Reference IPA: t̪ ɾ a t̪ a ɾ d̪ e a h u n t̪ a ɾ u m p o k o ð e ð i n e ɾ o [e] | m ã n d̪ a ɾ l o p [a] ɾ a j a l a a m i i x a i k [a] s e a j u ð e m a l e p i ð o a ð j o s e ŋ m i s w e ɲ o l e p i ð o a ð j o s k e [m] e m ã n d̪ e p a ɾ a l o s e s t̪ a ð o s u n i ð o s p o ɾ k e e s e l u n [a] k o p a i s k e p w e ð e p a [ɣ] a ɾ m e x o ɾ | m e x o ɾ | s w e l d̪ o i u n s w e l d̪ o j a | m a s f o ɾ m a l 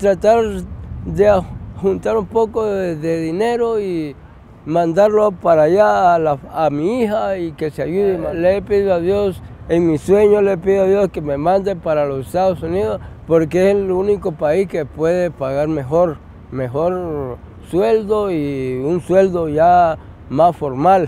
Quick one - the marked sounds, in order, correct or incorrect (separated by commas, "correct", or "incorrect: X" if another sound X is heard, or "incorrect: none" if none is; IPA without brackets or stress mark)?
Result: incorrect: i, correct, incorrect: e, correct, incorrect: i, correct